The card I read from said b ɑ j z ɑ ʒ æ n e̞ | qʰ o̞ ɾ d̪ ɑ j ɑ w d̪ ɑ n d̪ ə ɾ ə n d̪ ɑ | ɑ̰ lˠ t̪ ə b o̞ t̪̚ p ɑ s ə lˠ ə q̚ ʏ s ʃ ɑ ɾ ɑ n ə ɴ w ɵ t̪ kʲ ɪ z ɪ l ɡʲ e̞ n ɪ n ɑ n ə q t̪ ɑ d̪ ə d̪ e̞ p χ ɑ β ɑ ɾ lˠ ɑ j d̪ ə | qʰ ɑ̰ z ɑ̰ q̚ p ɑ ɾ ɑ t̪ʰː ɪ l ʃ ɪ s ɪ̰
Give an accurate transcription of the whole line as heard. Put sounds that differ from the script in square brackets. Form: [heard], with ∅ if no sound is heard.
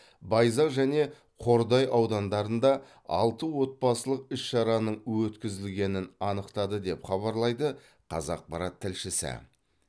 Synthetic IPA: b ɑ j z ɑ ʒ æ n e̞ | qʰ o̞ ɾ d̪ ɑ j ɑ w d̪ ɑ n d̪ [ɑ] ɾ ə n d̪ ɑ | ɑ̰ lˠ t̪ ə [w] o̞ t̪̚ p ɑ s ə lˠ ə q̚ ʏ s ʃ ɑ ɾ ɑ n ə ɴ w ɵ t̪ kʲ ɪ z ɪ l ɡʲ e̞ n ɪ n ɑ n ə q t̪ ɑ d̪ ə d̪ e̞ p χ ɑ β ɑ ɾ lˠ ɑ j d̪ ə | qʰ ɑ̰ z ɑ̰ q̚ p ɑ ɾ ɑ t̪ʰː ɪ l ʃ ɪ s ɪ̰